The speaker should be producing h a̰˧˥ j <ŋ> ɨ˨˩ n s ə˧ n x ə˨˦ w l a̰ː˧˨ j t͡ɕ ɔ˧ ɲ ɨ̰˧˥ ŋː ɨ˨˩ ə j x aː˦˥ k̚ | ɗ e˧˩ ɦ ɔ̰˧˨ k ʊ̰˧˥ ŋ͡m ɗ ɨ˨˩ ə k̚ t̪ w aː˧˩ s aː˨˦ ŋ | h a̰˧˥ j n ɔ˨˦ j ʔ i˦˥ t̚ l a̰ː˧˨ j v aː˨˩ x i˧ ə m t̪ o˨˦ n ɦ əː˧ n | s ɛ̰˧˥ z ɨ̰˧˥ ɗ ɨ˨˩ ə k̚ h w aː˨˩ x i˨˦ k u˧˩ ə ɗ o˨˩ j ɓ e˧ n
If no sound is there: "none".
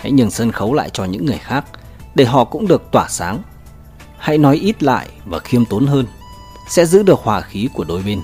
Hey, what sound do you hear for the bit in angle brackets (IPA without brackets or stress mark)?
ɲ